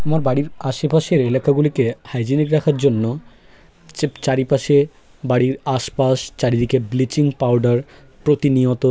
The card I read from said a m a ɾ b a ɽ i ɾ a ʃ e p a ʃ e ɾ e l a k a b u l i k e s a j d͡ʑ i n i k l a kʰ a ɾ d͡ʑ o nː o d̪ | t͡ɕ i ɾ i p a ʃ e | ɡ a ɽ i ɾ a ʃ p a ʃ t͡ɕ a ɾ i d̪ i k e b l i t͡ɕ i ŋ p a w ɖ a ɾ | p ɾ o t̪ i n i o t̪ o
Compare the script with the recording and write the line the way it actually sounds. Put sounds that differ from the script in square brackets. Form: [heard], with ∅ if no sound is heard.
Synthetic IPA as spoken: a m a ɾ b a ɽ i ɾ a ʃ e p a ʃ e ɾ e l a k a [ɡ] u l i k e [h] a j d͡ʑ i n i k [ɾ] a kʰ a ɾ d͡ʑ o nː o [∅] | t͡ɕ [a] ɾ i p a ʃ e | [b] a ɽ i ɾ a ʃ p a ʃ t͡ɕ a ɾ i d̪ i k e b l i t͡ɕ i ŋ p a w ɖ a ɾ | p ɾ o t̪ i n i o t̪ o